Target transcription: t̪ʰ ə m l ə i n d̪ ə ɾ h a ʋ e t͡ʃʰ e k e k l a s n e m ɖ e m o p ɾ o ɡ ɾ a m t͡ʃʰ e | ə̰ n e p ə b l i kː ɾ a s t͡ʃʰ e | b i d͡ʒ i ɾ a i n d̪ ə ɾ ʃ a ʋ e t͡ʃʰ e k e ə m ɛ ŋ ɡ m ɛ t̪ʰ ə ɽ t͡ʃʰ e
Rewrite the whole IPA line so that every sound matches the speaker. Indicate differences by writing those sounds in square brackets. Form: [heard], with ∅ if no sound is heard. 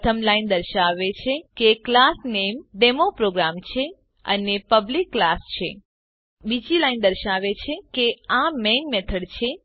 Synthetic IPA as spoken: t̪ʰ ə m l [a] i n d̪ ə ɾ [ʃ] a ʋ e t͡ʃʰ e k e k l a s n e m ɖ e m o p ɾ o ɡ ɾ a m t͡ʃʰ e | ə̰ n e p ə b l i kː [l] a s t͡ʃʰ e | b i d͡ʒ i [l] a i n d̪ ə ɾ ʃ a ʋ e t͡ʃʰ e k e [a] m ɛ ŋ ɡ m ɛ t̪ʰ ə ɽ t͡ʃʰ e